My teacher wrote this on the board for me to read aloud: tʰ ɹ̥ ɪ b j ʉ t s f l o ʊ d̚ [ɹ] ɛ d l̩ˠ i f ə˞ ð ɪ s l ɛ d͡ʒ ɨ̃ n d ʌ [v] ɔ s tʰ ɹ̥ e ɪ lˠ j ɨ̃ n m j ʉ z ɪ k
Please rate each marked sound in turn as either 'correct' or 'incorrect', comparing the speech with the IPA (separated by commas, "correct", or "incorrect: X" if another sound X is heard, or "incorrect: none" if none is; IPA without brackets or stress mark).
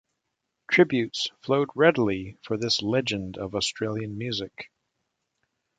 correct, correct